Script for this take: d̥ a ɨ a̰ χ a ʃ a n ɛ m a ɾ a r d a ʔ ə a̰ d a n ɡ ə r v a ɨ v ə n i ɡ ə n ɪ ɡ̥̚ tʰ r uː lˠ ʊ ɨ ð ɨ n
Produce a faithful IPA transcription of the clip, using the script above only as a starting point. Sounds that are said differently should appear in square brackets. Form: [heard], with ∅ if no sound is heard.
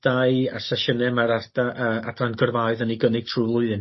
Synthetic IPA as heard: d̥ a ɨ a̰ [s] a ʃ [ə] n ɛ m a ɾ a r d a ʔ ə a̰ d a n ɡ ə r v a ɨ [ð] ə n i ɡ ə n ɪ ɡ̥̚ tʰ r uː lˠ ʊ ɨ ð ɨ n